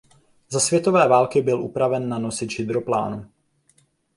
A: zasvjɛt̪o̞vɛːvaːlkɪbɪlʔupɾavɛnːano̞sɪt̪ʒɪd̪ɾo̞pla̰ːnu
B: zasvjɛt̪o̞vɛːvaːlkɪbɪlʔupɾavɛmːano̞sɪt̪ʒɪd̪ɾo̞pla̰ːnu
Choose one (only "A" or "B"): A